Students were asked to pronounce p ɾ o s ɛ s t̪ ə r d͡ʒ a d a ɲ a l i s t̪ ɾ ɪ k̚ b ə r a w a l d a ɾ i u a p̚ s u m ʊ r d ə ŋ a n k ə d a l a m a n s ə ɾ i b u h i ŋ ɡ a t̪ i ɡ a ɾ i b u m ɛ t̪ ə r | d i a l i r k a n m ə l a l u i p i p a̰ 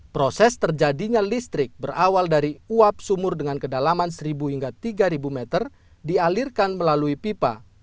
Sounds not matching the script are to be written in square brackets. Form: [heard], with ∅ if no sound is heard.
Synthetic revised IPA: p ɾ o s ɛ s t̪ ə r d͡ʒ a d [i] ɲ a l i s t̪ ɾ ɪ k̚ b ə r a w a l d a ɾ i u a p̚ s u m ʊ r d ə ŋ a n k ə d a l a m a n s ə ɾ i b u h i ŋ ɡ a t̪ i ɡ a ɾ i b u m ɛ t̪ ə r | d i a l i r k a n m ə l a l u i p i p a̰

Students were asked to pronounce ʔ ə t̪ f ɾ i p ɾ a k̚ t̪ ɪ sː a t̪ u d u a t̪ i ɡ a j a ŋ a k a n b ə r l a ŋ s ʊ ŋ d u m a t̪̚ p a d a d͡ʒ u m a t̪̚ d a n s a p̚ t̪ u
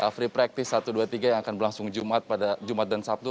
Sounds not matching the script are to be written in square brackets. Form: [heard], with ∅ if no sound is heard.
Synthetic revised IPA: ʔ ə [∅] f ɾ i p ɾ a k̚ t̪ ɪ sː a t̪ u d u a t̪ i ɡ a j a ŋ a k a n b ə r l a ŋ s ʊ ŋ [d͡ʒ] u m a t̪̚ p a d a d͡ʒ u m a t̪̚ d a n s a p̚ t̪ u

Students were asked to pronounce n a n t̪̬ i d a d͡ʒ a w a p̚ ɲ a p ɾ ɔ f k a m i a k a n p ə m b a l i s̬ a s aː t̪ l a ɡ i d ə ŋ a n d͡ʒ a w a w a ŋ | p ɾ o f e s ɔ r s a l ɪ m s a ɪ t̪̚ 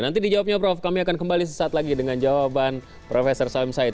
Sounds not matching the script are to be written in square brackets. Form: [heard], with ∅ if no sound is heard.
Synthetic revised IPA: n a n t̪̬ i d [i] d͡ʒ a w a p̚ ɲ a p ɾ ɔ f k a m i a k a n [k] ə m b a l i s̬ [ə] s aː t̪ l a ɡ i d ə ŋ a n d͡ʒ a w a [b] a [n] | p ɾ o f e s ɔ r s a l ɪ m s a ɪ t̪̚

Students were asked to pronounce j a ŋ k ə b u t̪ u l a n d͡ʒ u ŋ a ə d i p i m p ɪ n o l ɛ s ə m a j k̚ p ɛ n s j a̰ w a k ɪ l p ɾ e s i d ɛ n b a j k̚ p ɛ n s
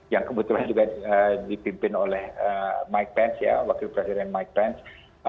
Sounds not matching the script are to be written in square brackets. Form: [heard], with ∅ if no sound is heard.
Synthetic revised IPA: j a ŋ k ə b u t̪ u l a n d͡ʒ u [ɡ] a ə d i p i m p ɪ n o l ɛ [h] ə m a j k̚ p ɛ n s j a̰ w a k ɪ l p ɾ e s i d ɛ n [m] a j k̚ p ɛ n s

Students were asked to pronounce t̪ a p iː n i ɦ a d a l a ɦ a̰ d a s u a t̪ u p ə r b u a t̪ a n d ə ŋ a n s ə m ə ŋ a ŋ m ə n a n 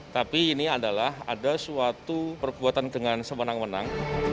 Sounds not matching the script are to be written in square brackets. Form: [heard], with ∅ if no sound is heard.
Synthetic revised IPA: t̪ a p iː n i [∅] a d a l a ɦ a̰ d a s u a t̪ u p ə r b u a t̪ a n d ə ŋ a n s ə m ə [n] a ŋ m ə n a [ŋ]

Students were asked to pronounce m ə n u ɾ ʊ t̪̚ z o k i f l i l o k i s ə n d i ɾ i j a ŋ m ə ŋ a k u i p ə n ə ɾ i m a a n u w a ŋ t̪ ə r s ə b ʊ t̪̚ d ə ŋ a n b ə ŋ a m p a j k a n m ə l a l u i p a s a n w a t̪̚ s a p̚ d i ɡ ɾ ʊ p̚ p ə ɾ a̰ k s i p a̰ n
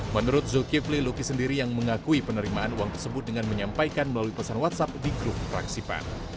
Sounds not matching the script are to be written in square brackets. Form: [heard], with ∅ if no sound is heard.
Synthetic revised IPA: m ə n u ɾ ʊ t̪̚ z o k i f l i l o k i s ə n d i ɾ i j a ŋ m ə ŋ a k u i p ə n ə ɾ i m a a n u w a ŋ t̪ ə r s ə b ʊ t̪̚ d ə ŋ a n [m] ə [ɲ] a m p a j k a n m ə l a l u i p a s a n w a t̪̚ s a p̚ d i ɡ ɾ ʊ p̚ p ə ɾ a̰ k s i p a̰ n

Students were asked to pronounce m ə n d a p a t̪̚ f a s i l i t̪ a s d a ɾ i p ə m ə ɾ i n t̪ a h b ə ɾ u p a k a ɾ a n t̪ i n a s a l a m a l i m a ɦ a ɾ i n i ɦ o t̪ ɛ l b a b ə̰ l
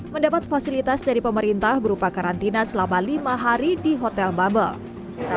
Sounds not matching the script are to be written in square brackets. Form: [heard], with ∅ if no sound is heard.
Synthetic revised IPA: m ə n d a p a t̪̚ f a s i l i t̪ a s d a ɾ i p ə m ə ɾ i n t̪ a h b ə ɾ u p a k a ɾ a n t̪ i n a s [ə] l a m a l i m a ɦ a ɾ i [d] i ɦ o t̪ ɛ l b a b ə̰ l

